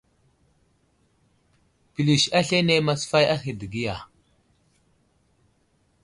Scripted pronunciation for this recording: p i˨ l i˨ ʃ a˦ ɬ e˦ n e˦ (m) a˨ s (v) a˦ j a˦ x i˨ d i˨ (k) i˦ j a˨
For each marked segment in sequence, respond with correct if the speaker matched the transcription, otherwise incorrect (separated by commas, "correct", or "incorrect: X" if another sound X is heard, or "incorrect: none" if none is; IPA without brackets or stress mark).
correct, incorrect: f, incorrect: ɡ